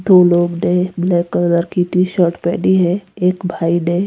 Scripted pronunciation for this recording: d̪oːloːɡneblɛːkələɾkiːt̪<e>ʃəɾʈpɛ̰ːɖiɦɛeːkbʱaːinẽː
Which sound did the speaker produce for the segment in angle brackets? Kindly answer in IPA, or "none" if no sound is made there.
i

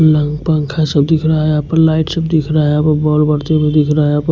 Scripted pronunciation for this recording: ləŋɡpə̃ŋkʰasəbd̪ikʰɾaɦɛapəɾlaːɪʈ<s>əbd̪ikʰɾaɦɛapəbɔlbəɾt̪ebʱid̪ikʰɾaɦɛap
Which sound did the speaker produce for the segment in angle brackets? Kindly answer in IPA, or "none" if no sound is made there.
s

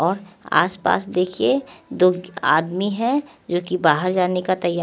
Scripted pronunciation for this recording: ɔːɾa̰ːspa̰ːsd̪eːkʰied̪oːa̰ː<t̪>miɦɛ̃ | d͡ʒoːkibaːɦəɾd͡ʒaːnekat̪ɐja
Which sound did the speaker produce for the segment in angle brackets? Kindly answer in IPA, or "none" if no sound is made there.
d̪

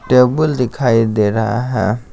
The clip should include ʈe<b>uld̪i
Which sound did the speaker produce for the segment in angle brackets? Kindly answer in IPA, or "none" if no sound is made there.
b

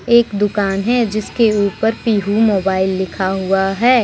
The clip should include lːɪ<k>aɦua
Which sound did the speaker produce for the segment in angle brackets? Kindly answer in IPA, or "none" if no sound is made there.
kʰ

